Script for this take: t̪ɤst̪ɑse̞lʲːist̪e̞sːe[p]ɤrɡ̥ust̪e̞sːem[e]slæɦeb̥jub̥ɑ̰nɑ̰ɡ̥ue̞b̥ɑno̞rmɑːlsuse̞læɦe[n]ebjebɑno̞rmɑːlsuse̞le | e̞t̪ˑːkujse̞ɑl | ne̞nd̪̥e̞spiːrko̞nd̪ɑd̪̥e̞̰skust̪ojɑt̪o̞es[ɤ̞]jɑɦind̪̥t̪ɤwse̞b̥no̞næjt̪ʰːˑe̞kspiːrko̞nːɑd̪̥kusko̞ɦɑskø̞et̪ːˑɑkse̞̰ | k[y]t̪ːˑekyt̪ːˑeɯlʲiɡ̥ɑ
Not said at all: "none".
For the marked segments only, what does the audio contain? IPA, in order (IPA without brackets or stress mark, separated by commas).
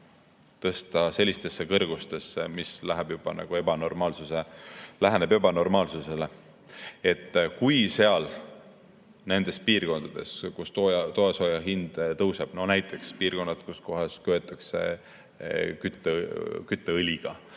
k, i, n, o̞, y